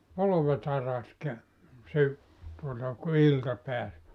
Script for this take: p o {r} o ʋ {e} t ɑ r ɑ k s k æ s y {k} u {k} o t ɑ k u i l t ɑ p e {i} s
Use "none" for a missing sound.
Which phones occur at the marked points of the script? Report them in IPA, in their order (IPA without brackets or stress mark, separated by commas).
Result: l, e, t, none, æ